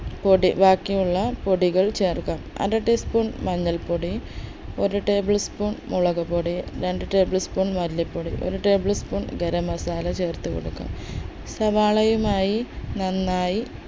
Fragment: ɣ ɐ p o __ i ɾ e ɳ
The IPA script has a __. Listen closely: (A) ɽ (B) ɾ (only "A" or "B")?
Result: A